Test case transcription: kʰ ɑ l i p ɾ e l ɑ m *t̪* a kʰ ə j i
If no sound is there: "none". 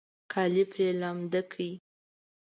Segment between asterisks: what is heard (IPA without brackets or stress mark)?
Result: d̪